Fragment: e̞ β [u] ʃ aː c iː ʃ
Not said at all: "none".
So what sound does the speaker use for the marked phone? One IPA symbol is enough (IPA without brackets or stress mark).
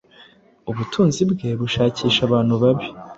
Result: u